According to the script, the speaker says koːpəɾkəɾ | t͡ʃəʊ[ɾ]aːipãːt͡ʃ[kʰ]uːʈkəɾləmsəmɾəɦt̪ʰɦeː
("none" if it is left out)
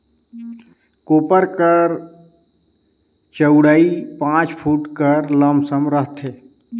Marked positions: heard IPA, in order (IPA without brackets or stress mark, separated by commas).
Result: ɽ, pʰ